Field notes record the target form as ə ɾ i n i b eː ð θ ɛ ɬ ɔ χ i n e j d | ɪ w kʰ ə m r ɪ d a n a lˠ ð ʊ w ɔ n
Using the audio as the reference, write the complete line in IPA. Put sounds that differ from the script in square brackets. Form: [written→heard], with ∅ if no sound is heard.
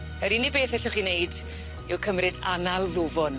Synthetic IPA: ə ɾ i n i b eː [ð→∅] θ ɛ ɬ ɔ χ i n e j d | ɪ w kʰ ə m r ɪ d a n a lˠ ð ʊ [w→v] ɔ n